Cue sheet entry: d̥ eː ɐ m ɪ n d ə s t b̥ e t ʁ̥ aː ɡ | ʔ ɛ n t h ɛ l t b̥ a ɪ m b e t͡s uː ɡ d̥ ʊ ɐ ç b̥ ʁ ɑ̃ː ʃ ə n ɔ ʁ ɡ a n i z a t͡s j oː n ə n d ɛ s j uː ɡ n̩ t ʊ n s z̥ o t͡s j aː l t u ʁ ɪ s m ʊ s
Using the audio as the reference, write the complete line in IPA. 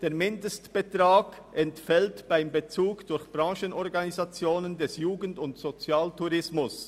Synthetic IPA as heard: d̥ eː ɐ m ɪ n d ə s t b̥ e t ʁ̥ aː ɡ | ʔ ɛ n t f ɛ l t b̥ a ɪ m b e t͡s uː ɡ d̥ ʊ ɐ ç b̥ ʁ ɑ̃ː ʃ ə n ɔ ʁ ɡ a n i z a t͡s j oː n ə n d ɛ s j uː ɡ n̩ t ʊ n t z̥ o t͡s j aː l t u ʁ ɪ s m ʊ s